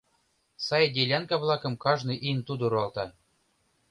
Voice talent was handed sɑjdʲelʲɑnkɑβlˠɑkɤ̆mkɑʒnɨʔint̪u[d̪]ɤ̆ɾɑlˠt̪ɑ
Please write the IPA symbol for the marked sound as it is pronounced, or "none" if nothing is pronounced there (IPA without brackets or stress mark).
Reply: d̪